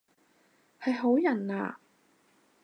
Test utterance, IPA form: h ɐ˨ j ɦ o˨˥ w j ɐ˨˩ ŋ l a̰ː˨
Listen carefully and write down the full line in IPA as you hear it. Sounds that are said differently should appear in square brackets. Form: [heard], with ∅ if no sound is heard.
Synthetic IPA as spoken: h ɐ˨ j ɦ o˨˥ w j ɐ˨˩ [n] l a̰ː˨